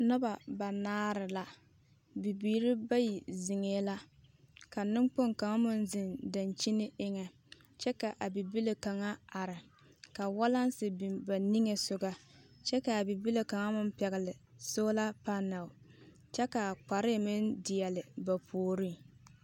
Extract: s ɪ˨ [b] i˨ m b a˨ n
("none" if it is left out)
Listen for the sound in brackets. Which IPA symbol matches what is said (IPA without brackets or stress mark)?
b